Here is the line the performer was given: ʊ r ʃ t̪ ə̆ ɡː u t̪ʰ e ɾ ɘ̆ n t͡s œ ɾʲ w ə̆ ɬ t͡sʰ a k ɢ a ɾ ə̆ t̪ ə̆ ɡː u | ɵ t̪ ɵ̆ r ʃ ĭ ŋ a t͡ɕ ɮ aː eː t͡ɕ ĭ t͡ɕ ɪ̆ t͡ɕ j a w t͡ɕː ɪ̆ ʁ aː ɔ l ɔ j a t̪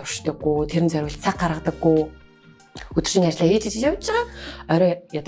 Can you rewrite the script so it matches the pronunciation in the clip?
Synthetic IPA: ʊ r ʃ t̪ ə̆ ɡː u t̪ʰ e ɾ ɘ̆ n t͡s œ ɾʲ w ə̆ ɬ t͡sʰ a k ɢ a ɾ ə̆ t̪ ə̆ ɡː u | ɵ t̪ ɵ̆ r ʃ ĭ ŋ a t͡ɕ ɮ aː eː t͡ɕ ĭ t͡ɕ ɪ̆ t͡ɕ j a w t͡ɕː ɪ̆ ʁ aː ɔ ɾ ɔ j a t̪